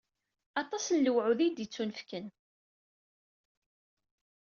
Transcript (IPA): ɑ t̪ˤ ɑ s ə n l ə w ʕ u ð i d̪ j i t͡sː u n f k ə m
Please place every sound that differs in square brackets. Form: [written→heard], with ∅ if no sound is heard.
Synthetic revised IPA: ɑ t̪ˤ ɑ s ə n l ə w ʕ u ð i d̪ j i t͡sː u n f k ə [m→n]